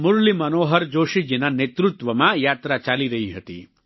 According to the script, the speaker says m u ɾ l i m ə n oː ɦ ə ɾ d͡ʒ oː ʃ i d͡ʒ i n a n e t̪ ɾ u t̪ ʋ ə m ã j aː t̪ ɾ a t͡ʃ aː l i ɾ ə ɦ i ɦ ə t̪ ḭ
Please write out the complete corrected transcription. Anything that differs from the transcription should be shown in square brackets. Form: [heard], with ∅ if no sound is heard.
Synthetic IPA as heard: m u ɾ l i m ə n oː ɦ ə ɾ d͡ʒ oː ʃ i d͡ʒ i n a n e t̪ ɾ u t̪ ʋ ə m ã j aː t̪ ɾ a t͡ʃ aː l i ɾ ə ɦ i ɦ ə t̪ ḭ